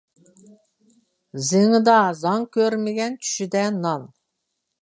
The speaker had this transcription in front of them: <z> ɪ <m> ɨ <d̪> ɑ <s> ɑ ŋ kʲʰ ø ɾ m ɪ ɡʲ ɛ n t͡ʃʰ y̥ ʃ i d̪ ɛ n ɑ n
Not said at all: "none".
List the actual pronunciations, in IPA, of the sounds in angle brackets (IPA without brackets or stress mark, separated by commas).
z, ŋ, d̪, z